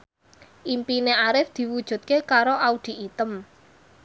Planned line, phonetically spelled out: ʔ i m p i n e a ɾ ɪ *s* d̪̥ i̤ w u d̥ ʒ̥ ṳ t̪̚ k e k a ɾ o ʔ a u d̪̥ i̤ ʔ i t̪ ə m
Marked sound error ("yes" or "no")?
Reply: yes